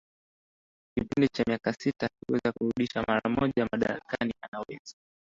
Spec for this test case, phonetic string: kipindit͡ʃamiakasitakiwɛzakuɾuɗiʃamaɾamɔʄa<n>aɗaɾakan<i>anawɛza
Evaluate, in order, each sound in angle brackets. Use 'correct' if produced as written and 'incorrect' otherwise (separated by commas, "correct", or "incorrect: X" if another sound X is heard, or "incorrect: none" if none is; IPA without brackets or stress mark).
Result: incorrect: m, correct